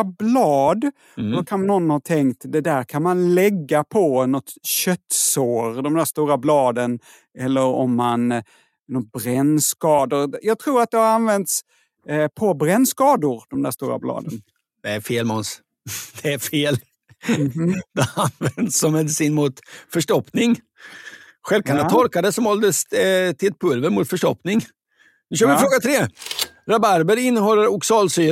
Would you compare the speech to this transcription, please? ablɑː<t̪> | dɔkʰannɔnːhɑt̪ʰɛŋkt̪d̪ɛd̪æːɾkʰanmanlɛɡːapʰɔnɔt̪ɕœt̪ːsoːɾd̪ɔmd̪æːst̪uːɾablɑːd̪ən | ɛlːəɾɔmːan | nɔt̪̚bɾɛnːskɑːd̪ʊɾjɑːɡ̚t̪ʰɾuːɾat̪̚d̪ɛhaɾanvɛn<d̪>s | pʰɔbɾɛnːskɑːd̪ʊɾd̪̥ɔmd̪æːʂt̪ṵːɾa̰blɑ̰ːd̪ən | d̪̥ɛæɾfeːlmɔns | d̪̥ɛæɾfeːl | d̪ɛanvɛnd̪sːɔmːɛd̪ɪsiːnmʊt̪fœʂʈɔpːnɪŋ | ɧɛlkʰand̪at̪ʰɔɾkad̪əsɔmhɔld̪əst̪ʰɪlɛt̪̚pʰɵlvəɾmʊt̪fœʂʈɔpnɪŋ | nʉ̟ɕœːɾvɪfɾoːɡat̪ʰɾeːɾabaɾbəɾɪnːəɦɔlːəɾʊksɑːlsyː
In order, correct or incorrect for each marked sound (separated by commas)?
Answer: incorrect, incorrect